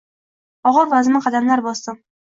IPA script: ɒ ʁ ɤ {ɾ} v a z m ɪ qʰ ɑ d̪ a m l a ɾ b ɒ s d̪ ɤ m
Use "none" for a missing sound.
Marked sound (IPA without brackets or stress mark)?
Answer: ɾ